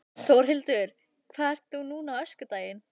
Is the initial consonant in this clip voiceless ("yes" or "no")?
yes